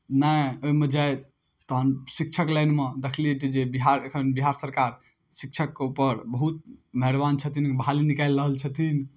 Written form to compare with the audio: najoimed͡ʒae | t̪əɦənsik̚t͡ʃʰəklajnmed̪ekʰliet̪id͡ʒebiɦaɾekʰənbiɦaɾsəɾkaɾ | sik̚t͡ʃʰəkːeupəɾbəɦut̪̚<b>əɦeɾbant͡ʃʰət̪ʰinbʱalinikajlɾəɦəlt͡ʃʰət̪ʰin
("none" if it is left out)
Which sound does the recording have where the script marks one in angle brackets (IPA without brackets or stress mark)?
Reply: m